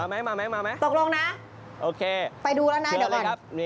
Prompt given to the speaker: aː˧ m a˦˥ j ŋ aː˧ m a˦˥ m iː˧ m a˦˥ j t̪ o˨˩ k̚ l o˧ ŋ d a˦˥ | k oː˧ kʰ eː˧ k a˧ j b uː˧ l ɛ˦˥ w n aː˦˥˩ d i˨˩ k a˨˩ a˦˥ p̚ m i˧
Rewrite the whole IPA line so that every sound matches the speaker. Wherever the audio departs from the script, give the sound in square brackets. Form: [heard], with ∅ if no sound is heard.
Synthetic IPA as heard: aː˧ m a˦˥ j [m] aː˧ m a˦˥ m [aː˧] m a˦˥ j t̪ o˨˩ k̚ l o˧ ŋ [n] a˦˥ | [ʔ] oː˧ kʰ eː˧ [p] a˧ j [d] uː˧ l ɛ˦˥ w n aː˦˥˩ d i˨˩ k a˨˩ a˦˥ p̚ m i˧